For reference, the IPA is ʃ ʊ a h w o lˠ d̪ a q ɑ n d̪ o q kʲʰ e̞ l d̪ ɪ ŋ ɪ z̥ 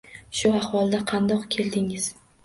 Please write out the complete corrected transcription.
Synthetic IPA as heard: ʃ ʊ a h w ɒ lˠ d̪ a qʰ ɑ n d̪ ɒ q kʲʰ e̞ l d̪ ɪ ŋ ɪ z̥